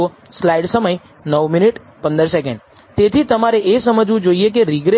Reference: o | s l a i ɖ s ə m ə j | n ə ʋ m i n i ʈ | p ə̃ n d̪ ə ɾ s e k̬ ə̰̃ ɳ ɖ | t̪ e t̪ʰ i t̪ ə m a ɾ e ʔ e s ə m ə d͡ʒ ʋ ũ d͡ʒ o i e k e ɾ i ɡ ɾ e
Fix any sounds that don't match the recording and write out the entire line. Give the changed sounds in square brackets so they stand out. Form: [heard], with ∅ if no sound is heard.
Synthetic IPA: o | s l a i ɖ s ə m ə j | n ə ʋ m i n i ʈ | p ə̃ n d̪ ə ɾ s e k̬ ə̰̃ ɳ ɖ | t̪ e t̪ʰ i t̪ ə m a ɾ e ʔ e s ə m ə d͡ʒ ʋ ũ d͡ʒ o i e k e ɾ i ɡ ɾ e